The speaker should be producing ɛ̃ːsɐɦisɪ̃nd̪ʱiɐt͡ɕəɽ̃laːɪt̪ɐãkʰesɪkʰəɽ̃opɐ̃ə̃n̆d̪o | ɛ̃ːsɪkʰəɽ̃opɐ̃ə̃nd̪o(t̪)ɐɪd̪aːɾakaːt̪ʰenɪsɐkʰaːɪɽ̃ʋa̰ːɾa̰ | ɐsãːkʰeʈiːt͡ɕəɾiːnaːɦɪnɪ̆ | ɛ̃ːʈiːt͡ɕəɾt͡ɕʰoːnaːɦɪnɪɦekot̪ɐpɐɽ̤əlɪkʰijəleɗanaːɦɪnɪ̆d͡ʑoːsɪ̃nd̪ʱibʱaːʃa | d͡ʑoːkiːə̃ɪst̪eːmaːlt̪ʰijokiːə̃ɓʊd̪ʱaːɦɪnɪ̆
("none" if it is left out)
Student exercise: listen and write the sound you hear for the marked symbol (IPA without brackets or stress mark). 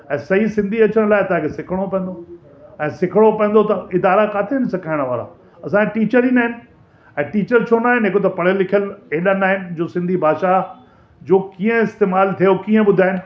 t̪